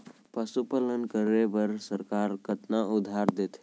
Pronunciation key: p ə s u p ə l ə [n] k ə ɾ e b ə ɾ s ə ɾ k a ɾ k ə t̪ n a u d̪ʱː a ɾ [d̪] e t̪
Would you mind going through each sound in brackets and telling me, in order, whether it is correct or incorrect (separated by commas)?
correct, correct